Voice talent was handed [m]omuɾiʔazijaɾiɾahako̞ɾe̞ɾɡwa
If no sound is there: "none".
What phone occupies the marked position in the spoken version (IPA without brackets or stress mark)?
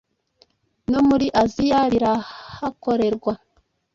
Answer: n